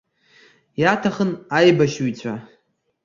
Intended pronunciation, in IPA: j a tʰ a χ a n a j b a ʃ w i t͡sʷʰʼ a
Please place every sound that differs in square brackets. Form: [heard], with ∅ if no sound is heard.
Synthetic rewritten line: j a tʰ a χ [ə] n a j b a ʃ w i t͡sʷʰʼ a

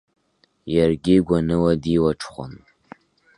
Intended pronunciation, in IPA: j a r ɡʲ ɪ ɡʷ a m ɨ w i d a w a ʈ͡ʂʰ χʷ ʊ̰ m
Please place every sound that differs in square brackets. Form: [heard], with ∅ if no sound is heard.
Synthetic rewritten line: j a r ɡʲ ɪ ɡʷ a [n] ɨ w [a] d [i] w a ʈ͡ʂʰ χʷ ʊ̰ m

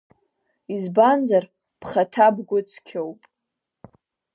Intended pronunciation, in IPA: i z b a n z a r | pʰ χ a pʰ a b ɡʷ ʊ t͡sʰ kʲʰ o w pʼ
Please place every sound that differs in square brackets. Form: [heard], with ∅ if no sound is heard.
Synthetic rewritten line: i z b a n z a r | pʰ χ a [tʰ] a b ɡʷ ʊ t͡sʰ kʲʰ o w pʼ

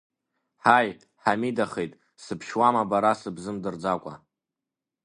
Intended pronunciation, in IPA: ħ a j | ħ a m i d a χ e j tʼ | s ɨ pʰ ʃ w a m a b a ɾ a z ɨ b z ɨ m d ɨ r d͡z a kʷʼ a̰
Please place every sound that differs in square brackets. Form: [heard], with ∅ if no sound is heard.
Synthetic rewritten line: ħ a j | ħ a m i d a χ e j tʼ | s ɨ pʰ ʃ w a m a b a ɾ a [s] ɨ b z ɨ m d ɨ r d͡z a kʷʼ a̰

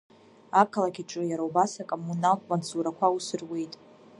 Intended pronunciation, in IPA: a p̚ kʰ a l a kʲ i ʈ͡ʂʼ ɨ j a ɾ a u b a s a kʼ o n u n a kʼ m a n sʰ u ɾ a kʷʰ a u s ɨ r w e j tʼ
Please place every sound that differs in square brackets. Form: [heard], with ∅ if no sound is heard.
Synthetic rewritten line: a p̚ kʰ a l a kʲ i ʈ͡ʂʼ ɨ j a ɾ a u b a s a kʼ o [m] u n a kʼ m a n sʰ u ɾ a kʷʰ a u s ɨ r w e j tʼ

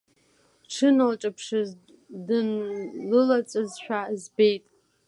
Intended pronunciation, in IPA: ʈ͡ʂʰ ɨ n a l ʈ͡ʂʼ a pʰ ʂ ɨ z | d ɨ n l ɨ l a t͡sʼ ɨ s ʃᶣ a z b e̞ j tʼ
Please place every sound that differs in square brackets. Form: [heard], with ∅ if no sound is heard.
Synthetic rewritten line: ʈ͡ʂʰ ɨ n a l ʈ͡ʂʼ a pʰ ʂ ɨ z | d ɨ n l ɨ l a t͡sʼ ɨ [z] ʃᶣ a z b e̞ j tʼ

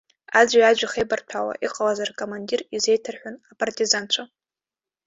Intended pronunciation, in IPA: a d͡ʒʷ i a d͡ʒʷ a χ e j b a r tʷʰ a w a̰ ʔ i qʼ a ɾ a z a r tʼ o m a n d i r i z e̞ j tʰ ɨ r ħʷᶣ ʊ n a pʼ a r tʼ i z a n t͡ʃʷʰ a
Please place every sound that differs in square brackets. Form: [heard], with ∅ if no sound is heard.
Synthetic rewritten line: a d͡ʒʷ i a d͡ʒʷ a χ e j b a r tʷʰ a w a̰ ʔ i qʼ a [l] a z a r [kʼ] o m a n d i r i z e̞ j tʰ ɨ r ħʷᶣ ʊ n a pʼ a r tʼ i z a n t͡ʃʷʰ a

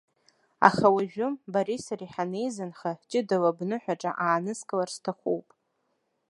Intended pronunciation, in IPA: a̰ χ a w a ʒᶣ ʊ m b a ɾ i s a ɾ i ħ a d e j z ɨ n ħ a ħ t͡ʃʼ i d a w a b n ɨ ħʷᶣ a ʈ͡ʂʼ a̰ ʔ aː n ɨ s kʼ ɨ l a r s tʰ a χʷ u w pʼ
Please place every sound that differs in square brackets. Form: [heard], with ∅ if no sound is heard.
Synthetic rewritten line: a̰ χ a w a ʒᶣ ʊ m b a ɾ i s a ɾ i ħ a [n] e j z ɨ n [χ] a ħ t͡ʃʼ [ɪ] d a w a b n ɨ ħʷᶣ a ʈ͡ʂʼ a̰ ʔ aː n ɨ s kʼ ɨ l a r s tʰ a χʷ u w pʼ

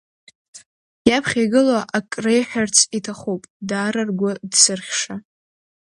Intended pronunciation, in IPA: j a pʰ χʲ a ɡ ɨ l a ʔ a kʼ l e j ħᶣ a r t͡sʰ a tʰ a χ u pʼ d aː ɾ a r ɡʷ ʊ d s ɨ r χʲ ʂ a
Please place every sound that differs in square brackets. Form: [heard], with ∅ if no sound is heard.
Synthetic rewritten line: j a pʰ χʲ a ɡ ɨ l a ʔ a kʼ [r] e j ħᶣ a r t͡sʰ [i] tʰ a χ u pʼ d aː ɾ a r ɡʷ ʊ d s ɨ r χʲ ʂ a

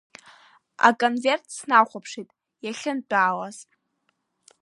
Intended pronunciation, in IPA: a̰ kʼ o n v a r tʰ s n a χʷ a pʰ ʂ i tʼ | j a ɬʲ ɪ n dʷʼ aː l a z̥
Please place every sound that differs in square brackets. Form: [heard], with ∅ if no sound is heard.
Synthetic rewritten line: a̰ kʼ o n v [e] r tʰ s n a χʷ a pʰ ʂ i tʼ | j a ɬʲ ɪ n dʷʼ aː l a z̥

